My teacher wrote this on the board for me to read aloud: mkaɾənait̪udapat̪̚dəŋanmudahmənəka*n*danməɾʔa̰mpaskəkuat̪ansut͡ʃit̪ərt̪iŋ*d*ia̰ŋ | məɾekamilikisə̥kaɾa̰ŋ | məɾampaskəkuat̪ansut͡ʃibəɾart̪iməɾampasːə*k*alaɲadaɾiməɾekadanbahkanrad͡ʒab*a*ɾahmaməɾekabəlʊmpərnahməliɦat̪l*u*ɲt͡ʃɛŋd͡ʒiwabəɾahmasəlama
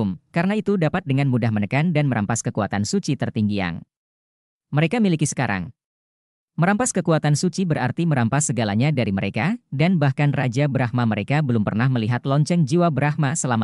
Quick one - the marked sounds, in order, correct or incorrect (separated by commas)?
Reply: correct, incorrect, incorrect, incorrect, incorrect